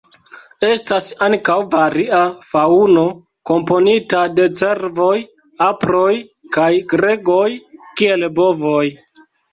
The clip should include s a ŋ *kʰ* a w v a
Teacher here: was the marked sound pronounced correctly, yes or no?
no